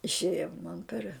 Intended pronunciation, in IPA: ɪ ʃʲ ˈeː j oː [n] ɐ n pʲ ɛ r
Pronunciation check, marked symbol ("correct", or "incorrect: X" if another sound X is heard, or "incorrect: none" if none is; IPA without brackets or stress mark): incorrect: m